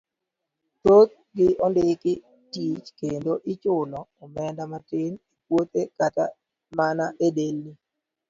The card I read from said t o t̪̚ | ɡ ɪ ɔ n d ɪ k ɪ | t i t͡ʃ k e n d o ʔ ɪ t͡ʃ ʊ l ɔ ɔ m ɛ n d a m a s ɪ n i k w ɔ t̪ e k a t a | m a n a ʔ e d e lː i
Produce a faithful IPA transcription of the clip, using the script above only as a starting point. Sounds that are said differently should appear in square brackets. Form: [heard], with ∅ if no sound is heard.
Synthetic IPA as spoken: t o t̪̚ | ɡ ɪ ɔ n d ɪ k ɪ | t i t͡ʃ k e n d o ʔ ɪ t͡ʃ ʊ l ɔ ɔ m ɛ n d a m a [t] ɪ n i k w [o] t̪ e k a t a | m a n a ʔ e d e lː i